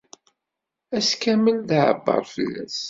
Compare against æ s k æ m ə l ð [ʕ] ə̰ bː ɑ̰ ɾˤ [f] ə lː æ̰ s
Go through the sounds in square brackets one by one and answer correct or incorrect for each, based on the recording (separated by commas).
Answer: correct, correct